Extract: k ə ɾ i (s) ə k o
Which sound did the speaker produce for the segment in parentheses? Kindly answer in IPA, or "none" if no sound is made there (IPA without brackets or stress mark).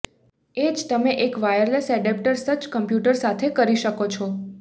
ʃ